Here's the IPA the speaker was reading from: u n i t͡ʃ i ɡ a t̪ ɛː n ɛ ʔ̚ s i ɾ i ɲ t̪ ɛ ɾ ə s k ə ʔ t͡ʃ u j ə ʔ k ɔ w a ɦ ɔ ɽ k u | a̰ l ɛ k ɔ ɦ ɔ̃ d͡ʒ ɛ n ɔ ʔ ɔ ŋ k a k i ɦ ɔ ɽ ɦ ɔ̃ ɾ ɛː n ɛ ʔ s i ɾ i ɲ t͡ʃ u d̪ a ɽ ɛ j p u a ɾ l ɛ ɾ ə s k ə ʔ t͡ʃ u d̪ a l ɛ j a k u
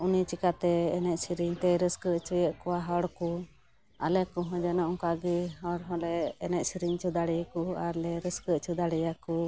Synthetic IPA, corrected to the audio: u n i t͡ʃ i k a t̪ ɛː n ɛ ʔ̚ s i ɾ i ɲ t̪ ɛ ɾ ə s k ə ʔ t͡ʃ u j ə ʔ k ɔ w a ɦ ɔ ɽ k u | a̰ l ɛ k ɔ ɦ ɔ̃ d͡ʒ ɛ n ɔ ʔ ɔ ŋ k a ɡ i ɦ ɔ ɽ ɦ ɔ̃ l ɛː n ɛ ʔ s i ɾ i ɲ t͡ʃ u d̪ a ɽ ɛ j k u a ɾ l ɛ ɾ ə s k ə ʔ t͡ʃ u d̪ a ɽ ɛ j a k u

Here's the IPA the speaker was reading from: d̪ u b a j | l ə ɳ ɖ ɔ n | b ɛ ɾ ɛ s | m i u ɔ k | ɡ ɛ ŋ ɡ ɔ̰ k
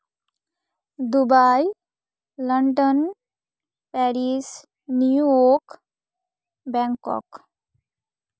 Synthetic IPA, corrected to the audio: d̪ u b a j | l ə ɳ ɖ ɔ n | p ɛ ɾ i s | n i u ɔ k | b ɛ ŋ k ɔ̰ k

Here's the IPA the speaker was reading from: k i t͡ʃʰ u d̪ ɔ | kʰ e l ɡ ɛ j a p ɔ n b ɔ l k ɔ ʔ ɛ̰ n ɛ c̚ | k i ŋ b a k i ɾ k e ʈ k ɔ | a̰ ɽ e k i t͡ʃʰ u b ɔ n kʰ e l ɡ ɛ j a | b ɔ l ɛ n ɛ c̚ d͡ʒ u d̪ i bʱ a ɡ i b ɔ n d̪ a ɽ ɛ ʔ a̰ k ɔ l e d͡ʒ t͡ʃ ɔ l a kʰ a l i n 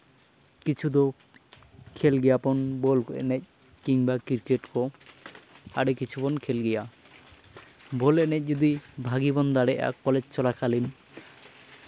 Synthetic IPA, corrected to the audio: k i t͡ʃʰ u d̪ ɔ | kʰ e l ɡ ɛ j a p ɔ n b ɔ l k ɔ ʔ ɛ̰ n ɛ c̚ | k i ŋ b a k i ɾ k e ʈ k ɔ | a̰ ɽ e k i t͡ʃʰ u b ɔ n kʰ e l ɡ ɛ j a | b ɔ l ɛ n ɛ c̚ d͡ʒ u d̪ i bʱ a ɡ i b ɔ n d̪ a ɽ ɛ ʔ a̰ k ɔ l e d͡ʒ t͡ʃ ɔ l a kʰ a l i n

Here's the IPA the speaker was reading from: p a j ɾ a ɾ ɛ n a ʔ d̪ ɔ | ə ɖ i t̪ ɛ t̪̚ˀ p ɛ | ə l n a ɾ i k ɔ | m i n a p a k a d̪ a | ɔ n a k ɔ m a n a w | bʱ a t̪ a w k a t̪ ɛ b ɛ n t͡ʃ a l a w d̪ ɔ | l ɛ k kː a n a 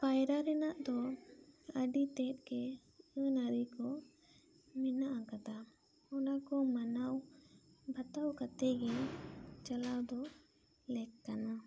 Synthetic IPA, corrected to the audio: p a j ɾ a ɾ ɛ n a ʔ d̪ ɔ | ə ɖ i t̪ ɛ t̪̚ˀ k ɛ | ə n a ɾ i k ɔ | m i n a ʔ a k a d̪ a | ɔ n a k ɔ m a n a w | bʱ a t̪ a w k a t̪ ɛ ɡ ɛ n t͡ʃ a l a w d̪ ɔ | l ɛ k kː a n a

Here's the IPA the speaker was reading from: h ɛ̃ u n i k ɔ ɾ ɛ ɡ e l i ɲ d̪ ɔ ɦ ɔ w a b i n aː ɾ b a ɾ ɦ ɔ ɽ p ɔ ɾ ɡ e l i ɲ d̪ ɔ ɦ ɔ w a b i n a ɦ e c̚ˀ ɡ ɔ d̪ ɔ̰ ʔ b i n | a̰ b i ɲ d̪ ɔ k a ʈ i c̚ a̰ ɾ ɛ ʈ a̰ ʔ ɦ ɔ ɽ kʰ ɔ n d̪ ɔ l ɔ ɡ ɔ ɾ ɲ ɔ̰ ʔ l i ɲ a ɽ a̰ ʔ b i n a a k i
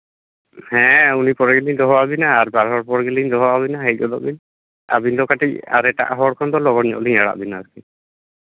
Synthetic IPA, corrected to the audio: h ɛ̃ u n i p ɔ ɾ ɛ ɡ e l i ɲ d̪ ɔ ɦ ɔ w a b i n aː ɾ b a ɾ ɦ ɔ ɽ p ɔ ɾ ɡ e l i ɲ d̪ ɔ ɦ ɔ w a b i n a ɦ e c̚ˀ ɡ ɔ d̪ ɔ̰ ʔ b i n | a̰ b i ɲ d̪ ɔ k a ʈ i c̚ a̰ ɾ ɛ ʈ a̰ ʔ ɦ ɔ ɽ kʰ ɔ n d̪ ɔ l ɔ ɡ ɔ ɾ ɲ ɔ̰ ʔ l i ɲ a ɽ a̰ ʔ b i n a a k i

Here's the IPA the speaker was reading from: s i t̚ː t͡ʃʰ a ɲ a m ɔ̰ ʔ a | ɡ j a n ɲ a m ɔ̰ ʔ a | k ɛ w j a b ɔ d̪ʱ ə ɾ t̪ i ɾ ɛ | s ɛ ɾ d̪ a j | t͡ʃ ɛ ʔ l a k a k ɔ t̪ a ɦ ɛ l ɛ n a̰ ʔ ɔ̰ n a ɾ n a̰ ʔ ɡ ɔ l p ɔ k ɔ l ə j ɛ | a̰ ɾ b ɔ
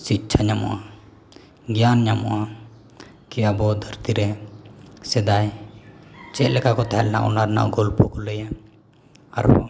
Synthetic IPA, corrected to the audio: s i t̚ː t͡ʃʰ a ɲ a m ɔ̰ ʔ a | ɡ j a n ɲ a m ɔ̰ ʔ a | k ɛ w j a b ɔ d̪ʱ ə ɾ t̪ i ɾ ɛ | s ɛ d̪ a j | t͡ʃ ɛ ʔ l ɛ k a k ɔ t̪ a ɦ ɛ l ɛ n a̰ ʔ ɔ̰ n a ɾ n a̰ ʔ ɡ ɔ l p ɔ k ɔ l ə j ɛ | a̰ ɾ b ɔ

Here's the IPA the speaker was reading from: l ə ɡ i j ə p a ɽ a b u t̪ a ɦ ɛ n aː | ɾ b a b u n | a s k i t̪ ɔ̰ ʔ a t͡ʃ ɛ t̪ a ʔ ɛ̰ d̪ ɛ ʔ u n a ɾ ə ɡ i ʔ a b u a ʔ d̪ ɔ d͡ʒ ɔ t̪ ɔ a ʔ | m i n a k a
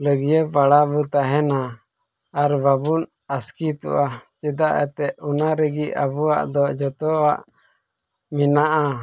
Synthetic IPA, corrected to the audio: l ə ɡ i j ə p a ɽ a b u t̪ a ɦ ɛ n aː | ɾ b a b u n | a s k i t̪ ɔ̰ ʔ a t͡ʃ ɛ d̪ a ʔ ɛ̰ t̪ ɛ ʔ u n a ɾ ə ɡ i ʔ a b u a ʔ d̪ ɔ d͡ʒ ɔ t̪ ɔ a ʔ | m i n a ʔ a

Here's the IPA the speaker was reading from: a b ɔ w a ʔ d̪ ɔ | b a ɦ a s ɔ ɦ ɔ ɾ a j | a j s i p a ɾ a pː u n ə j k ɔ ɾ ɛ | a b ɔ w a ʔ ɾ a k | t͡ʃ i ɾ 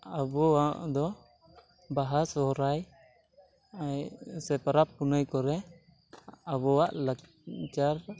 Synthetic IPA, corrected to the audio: a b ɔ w a ʔ d̪ ɔ | b a ɦ a s ɔ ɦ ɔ ɾ a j | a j s ɛ p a ɾ a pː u n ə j k ɔ ɾ ɛ | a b ɔ w a ʔ l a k | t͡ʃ a ɾ

